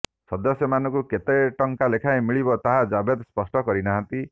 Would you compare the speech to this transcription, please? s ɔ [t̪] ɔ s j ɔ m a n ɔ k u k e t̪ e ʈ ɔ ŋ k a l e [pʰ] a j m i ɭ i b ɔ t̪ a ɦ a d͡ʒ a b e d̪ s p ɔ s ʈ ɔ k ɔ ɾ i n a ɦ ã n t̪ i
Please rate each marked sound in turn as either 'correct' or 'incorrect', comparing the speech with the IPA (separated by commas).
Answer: incorrect, incorrect